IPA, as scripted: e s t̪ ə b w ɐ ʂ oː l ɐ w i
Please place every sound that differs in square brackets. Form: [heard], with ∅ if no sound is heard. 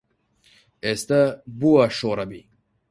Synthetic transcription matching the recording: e s t̪ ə b [u] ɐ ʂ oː [ɾ] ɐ [b] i

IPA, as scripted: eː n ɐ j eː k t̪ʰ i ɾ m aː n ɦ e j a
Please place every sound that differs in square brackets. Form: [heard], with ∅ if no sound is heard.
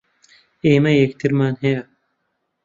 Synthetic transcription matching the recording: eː [m] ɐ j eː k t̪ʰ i ɾ m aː n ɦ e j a

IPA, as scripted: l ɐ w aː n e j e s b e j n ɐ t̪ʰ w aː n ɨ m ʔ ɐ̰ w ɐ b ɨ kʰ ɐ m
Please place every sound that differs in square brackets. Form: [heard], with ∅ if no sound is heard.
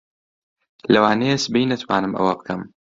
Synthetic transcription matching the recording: l ɐ w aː n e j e s b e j n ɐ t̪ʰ w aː n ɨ m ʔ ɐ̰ w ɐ b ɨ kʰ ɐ m

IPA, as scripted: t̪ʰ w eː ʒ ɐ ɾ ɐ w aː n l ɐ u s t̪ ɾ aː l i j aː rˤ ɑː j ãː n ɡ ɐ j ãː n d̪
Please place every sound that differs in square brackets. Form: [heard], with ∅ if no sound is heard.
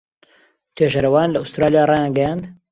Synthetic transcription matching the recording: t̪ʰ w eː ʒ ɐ ɾ ɐ w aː n l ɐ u s t̪ ɾ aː l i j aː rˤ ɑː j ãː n ɡ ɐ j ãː n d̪

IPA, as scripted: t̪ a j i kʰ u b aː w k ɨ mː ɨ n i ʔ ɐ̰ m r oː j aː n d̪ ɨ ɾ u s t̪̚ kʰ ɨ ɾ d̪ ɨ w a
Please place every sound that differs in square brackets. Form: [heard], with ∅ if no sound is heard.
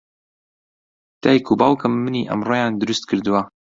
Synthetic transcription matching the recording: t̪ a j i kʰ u b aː w k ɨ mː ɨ n i ʔ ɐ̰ m r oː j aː n d̪ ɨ ɾ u s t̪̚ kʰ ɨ ɾ d̪ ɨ w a

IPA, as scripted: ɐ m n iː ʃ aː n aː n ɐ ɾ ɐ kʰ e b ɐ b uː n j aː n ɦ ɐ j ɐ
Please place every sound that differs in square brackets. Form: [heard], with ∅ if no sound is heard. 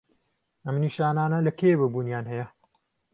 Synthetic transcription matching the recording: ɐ m n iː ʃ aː n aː n ɐ [l] ɐ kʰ e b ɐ b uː n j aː n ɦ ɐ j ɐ

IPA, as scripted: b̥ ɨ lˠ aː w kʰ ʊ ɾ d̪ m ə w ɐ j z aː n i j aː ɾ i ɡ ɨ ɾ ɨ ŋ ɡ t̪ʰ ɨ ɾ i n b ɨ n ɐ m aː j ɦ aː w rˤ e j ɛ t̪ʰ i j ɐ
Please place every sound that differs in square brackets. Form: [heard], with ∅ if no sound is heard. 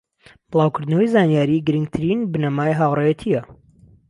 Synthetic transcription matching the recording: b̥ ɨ lˠ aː w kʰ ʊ ɾ d̪ [n] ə w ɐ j z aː n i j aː ɾ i ɡ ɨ ɾ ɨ ŋ ɡ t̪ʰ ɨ ɾ i n b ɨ n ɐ m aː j ɦ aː w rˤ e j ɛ t̪ʰ i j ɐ

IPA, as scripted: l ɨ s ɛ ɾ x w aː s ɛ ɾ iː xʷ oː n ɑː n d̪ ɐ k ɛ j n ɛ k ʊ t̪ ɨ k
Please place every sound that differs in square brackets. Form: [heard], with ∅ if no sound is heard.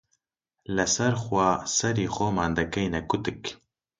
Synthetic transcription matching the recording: l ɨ s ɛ ɾ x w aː s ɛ ɾ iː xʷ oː [m] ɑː n d̪ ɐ k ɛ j n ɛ k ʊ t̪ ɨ k

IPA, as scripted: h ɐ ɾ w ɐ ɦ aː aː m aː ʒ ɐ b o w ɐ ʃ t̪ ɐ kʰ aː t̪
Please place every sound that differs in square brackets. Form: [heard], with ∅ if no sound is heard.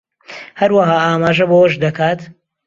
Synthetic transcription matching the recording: h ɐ ɾ w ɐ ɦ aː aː m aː ʒ ɐ b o w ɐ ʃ [d̪] ɐ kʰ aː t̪

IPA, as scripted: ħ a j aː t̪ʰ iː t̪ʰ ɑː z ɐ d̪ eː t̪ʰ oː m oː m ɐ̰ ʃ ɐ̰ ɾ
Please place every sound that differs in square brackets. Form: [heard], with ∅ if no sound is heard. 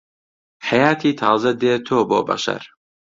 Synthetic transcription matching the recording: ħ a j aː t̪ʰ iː t̪ʰ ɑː z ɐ d̪ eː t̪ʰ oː [b] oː [b] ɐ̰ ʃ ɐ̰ ɾ

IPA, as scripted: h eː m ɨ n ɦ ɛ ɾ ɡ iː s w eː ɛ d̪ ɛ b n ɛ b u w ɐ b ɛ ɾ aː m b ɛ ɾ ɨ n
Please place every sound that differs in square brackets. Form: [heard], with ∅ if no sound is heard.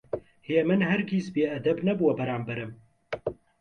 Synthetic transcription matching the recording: h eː m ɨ n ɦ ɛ ɾ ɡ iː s [b] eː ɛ d̪ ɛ b n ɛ b u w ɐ b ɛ ɾ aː m b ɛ ɾ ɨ [m]

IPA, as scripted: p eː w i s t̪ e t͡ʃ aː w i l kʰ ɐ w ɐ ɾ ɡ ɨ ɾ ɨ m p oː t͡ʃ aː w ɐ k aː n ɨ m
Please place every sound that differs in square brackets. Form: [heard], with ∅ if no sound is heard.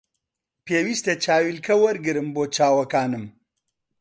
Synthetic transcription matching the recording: p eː w i s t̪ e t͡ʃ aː w i l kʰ ɐ w ɐ ɾ ɡ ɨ ɾ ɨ m [b] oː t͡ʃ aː w ɐ k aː n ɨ m

